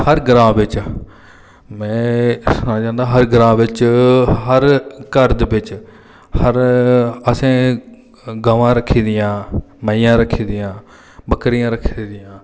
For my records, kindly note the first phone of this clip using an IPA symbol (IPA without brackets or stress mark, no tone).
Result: h